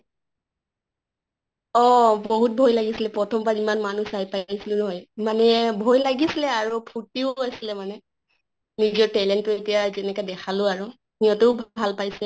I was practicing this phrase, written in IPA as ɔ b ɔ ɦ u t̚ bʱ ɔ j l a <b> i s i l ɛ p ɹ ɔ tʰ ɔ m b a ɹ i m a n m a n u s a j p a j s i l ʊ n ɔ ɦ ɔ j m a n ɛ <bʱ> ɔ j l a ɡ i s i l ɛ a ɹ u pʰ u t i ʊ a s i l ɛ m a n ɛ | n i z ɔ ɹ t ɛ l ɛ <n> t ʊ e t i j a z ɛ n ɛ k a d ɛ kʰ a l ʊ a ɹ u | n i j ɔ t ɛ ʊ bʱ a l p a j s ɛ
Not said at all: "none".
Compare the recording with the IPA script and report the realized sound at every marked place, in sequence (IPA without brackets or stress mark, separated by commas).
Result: ɡ, bʱ, n